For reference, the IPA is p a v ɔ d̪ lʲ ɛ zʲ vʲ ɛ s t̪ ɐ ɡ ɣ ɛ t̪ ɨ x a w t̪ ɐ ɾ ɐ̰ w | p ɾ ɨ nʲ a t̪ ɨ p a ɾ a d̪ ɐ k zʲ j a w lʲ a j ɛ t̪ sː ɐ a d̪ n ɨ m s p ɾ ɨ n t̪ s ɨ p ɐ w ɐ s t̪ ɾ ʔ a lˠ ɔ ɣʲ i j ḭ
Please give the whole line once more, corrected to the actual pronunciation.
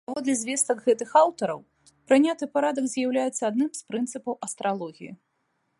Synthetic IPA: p a v ɔ d̪ lʲ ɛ zʲ vʲ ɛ s t̪ ɐ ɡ ɣ ɛ t̪ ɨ x a w t̪ ɐ ɾ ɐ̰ w | p ɾ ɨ nʲ a t̪ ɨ p a ɾ a d̪ ɐ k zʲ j a w lʲ a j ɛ t̪ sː ɐ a d̪ n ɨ m s p ɾ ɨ n t̪ s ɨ p ɐ w ɐ s t̪ ɾ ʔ a lˠ ɔ ɣʲ i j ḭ

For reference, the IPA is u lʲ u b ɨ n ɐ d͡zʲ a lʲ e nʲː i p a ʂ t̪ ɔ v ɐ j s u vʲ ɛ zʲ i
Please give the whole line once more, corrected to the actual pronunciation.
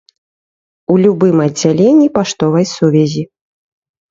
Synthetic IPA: u lʲ u b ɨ m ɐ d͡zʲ a lʲ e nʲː i p a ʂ t̪ ɔ v ɐ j s u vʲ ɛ zʲ i

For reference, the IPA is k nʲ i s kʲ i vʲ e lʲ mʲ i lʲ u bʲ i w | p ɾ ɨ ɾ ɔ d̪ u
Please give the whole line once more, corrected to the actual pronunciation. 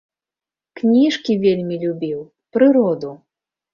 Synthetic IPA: k nʲ i ʂ kʲ i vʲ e lʲ mʲ i lʲ u bʲ i w | p ɾ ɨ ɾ ɔ d̪ u

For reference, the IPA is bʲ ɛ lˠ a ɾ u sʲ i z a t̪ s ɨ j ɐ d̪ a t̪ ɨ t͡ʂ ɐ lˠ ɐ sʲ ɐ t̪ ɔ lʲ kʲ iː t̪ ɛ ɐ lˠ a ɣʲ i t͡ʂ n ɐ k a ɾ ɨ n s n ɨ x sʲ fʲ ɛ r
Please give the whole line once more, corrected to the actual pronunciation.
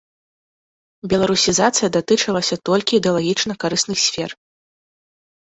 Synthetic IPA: bʲ ɛ lˠ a ɾ u sʲ i z a t̪ s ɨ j ɐ d̪ a t̪ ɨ t͡ʂ ɐ lˠ ɐ sʲ ɐ t̪ ɔ lʲ kʲ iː d̪ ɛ ɐ lˠ a ɣʲ i t͡ʂ n ɐ k a ɾ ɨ s n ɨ x sʲ fʲ ɛ r

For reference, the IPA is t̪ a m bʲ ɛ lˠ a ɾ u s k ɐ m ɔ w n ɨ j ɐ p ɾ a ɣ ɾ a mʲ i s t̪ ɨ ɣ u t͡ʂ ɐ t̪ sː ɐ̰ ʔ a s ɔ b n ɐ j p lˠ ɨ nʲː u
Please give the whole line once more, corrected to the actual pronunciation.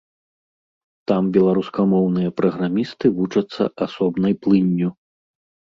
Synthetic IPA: t̪ a m bʲ ɛ lˠ a ɾ u s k ɐ m ɔ w n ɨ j ɐ p ɾ ɐ ɣ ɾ a mʲ i s t̪ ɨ v u t͡ʂ ɐ t̪ sː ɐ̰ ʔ a s ɔ b n ɐ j p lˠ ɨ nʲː u

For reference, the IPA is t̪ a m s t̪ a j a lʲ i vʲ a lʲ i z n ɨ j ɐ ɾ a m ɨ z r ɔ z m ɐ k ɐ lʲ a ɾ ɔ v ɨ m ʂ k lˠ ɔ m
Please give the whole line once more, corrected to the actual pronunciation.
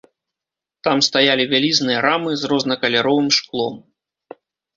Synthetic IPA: t̪ a m s t̪ a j a lʲ i vʲ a lʲ i z n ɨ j ɐ ɾ a m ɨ z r ɔ z n ɐ k ɐ lʲ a ɾ ɔ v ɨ m ʂ k lˠ ɔ m

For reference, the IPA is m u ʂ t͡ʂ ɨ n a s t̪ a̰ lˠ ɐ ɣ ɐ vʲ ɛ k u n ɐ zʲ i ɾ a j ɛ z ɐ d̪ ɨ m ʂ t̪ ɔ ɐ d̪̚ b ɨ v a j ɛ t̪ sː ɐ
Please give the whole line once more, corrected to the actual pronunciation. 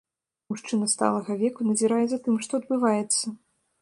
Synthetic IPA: m u ʂ t͡ʂ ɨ n ɐ s t̪ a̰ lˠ ɐ ɣ ɐ vʲ ɛ k u n ɐ zʲ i ɾ a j ɛ z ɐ t̪ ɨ m ʂ t̪ ɔ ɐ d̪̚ b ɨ v a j ɛ t̪ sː ɐ

